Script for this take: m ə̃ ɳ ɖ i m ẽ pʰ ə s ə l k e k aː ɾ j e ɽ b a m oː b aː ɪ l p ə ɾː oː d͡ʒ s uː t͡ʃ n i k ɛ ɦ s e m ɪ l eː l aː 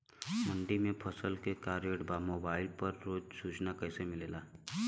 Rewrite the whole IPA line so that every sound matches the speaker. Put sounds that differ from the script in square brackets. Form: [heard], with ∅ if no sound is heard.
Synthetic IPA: m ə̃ ɳ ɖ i m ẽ pʰ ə s ə l k e k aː ɾ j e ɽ b a m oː b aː ɪ l p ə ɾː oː d͡ʒ s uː t͡ʃ n [a] k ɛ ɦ s e m ɪ l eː l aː